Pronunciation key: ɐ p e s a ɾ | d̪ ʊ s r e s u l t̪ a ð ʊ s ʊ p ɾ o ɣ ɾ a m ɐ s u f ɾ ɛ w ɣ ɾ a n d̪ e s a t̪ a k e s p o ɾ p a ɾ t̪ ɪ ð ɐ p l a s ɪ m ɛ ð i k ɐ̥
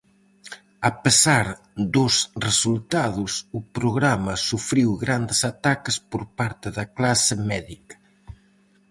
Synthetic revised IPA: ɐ p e s a ɾ | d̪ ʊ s r e s u l t̪ a ð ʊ s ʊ p ɾ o ɣ ɾ a m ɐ s u f ɾ i w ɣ ɾ a n d̪ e s a t̪ a k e s p o ɾ p a ɾ t̪ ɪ ð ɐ k l a s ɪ m ɛ ð i k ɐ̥